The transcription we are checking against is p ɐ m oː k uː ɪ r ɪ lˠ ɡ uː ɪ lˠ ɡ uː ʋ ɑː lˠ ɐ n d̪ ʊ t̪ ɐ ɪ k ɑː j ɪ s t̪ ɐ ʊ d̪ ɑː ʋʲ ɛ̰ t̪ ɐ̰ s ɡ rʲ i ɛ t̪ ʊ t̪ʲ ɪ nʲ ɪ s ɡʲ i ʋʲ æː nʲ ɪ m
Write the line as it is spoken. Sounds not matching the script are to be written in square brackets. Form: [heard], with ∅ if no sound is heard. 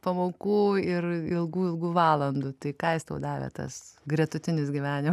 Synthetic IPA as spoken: p ɐ m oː k uː ɪ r ɪ lˠ ɡ uː ɪ lˠ ɡ uː ʋ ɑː lˠ ɐ n d̪ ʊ t̪ ɐ ɪ k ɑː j ɪ s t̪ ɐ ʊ d̪ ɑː ʋʲ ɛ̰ t̪ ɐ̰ s ɡ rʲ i ɛ t̪ ʊ t̪ʲ ɪ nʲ ɪ s ɡʲ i ʋʲ æː nʲ ɪ m